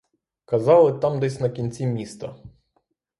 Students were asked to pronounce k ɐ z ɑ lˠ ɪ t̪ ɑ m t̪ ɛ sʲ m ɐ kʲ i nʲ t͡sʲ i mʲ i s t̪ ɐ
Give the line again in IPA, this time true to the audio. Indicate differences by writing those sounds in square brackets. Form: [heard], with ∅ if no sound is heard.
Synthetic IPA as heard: k ɐ z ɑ lˠ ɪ t̪ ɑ m [d̪] ɛ sʲ [n] ɐ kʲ i nʲ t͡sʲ i mʲ i s t̪ ɐ

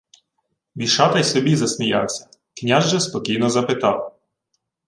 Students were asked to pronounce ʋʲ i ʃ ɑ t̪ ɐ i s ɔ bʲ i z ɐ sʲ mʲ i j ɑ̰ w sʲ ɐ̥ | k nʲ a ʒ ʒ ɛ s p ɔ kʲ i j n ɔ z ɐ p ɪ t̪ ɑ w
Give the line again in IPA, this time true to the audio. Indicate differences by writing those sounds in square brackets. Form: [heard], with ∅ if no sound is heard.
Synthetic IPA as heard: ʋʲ i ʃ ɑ t̪ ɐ [j] s ɔ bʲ i z ɐ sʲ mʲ i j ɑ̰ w sʲ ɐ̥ | k nʲ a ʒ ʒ ɛ s p ɔ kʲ i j n ɔ z ɐ p ɪ t̪ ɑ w

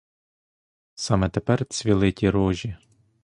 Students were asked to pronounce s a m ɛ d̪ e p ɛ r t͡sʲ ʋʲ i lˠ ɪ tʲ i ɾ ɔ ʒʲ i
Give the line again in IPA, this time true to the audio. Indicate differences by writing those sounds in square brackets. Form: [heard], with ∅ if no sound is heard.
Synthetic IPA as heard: s [ɑ] m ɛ [t̪] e p ɛ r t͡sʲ ʋʲ i lˠ ɪ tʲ i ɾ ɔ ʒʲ i

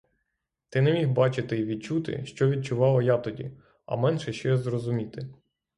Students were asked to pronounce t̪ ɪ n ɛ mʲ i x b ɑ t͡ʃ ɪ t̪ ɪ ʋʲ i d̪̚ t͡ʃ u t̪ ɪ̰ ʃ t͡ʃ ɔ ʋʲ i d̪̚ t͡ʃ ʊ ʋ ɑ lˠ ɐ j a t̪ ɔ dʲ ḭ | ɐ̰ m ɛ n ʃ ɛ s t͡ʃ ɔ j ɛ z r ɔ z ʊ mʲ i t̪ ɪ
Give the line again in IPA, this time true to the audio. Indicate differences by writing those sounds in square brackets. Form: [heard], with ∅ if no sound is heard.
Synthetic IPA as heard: t̪ ɪ n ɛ mʲ i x b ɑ t͡ʃ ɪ t̪ ɪ ʋʲ i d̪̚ t͡ʃ u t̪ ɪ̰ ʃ t͡ʃ ɔ ʋʲ i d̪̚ t͡ʃ ʊ ʋ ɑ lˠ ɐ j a t̪ ɔ dʲ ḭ | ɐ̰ m ɛ n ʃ ɛ [ʃ] t͡ʃ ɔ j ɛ z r ɔ z ʊ mʲ i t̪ ɪ

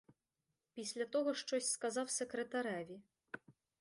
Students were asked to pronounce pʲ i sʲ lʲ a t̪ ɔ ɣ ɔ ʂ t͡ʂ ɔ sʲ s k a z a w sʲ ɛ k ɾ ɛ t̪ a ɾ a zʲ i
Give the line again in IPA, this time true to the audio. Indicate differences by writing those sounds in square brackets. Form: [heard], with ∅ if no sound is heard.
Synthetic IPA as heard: pʲ i sʲ lʲ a t̪ ɔ ɣ ɔ ʂ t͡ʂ ɔ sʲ s k a z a w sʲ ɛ k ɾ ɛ t̪ a ɾ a [vʲ] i

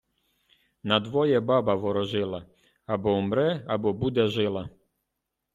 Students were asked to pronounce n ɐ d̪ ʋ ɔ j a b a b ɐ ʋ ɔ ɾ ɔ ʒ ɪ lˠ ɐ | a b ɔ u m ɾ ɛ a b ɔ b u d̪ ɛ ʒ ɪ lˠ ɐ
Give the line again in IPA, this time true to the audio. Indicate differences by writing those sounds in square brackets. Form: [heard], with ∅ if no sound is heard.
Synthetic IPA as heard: n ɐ d̪ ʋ ɔ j [ɛ] b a b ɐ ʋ ɔ ɾ ɔ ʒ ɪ lˠ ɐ | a b ɔ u m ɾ ɛ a b ɔ b u d̪ ɛ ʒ ɪ lˠ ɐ

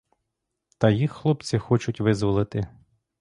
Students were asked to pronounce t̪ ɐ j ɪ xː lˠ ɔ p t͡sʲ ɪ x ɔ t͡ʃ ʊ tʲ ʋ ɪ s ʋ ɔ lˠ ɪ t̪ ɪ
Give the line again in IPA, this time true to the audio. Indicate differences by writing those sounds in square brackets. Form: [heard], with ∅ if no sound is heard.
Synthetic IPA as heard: t̪ ɐ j [i] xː lˠ ɔ p t͡sʲ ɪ x ɔ t͡ʃ ʊ tʲ ʋ ɪ [z] ʋ ɔ lˠ ɪ t̪ ɪ

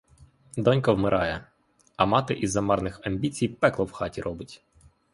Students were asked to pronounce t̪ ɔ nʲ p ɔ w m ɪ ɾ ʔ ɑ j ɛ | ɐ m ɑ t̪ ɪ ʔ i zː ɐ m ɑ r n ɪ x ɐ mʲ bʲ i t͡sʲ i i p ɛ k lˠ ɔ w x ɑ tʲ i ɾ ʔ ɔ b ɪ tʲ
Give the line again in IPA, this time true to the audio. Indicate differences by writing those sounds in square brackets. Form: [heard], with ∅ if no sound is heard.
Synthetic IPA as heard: [d̪] ɔ nʲ [k] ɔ w m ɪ ɾ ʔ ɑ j ɛ | ɐ m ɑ t̪ ɪ ʔ i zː ɐ m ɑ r n ɪ x ɐ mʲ bʲ i t͡sʲ i [j] p ɛ k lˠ ɔ w x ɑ tʲ i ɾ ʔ ɔ b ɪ tʲ

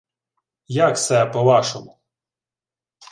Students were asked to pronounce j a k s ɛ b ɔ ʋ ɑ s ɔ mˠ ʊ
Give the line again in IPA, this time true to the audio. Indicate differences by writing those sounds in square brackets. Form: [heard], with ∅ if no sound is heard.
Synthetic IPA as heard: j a k s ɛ [p] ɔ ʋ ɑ [ʃ] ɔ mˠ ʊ

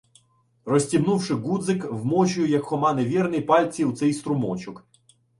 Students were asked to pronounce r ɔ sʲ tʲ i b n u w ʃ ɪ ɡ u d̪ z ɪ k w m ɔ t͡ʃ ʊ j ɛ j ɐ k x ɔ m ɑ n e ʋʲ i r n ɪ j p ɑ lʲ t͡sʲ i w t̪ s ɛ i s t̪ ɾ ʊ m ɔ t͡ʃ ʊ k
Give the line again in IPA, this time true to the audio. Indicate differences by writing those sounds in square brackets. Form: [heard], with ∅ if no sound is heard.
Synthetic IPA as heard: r ɔ sʲ tʲ i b n u w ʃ ɪ ɡ u d̪ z ɪ k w m ɔ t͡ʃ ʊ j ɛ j ɐ k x ɔ m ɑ n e ʋʲ i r n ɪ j p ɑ lʲ t͡sʲ i w t̪ s ɛ [j] s t̪ ɾ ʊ m ɔ t͡ʃ ʊ k

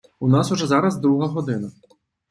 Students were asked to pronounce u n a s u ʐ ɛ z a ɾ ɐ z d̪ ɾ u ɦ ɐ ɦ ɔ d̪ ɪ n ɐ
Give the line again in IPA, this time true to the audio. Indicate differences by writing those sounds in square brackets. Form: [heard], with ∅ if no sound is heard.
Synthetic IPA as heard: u n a s u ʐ ɛ z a ɾ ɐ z d̪ ɾ u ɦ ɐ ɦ ɔ d̪ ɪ n ɐ

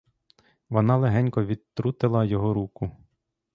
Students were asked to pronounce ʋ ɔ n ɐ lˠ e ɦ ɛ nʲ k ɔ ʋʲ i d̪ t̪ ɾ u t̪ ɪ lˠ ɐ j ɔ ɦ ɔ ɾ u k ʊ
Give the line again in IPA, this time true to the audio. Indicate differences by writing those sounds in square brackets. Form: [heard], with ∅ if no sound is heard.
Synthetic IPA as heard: ʋ ɔ n [ɑ] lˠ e ɦ ɛ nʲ k ɔ ʋʲ i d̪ t̪ ɾ u t̪ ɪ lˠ ɐ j ɔ ɦ ɔ ɾ u k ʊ

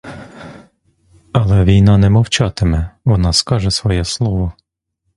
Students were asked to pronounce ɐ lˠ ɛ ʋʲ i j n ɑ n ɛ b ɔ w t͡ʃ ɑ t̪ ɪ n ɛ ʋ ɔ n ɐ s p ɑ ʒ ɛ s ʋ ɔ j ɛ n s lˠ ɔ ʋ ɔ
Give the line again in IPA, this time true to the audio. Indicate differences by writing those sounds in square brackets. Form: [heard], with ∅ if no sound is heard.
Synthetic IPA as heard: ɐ lˠ ɛ ʋʲ i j n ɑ n ɛ [m] ɔ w t͡ʃ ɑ t̪ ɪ [m] ɛ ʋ ɔ n [ɑ] s [k] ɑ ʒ ɛ s ʋ ɔ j ɛ [∅] s lˠ ɔ ʋ ɔ

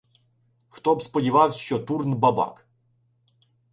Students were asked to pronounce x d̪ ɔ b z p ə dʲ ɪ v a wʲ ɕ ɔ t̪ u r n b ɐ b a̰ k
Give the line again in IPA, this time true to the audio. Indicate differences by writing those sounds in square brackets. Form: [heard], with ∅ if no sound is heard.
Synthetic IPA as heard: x [t̪] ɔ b [s] p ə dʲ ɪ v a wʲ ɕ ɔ t̪ u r n b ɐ b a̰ k

